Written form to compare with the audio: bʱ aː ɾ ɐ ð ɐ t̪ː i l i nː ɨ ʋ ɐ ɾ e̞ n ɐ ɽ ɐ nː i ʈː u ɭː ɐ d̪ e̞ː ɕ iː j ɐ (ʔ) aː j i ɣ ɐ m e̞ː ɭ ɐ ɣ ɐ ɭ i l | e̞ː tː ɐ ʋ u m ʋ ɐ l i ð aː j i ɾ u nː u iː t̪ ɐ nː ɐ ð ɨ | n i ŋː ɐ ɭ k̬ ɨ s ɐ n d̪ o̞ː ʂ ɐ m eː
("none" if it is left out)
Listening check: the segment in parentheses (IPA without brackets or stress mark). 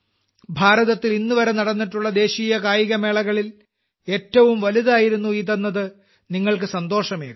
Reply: k